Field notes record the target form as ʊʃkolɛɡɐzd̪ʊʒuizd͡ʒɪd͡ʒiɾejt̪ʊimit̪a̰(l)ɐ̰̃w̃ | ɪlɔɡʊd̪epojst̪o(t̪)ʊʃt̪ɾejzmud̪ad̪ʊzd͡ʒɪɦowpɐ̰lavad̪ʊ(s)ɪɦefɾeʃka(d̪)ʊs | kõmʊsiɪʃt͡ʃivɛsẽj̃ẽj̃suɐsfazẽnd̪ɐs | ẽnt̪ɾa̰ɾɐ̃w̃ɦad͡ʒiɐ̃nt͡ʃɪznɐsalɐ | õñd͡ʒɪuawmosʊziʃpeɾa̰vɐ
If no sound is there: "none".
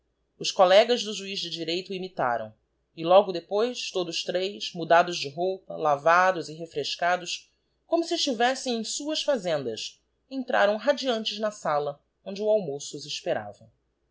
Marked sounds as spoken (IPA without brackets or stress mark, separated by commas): ɾ, d̪, z, d̪